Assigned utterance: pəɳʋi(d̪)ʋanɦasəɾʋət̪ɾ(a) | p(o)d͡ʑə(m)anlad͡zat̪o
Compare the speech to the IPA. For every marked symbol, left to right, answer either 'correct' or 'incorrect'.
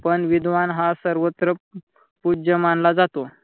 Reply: correct, incorrect: ə, incorrect: u, correct

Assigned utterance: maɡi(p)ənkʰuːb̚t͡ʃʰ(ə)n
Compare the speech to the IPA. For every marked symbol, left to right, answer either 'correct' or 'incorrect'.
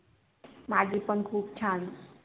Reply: correct, incorrect: a

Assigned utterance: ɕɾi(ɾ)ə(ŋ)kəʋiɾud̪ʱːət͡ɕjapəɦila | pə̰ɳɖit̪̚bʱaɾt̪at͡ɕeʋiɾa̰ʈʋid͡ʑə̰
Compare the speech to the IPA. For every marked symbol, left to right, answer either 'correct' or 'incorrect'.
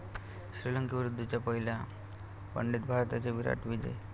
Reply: incorrect: l, correct

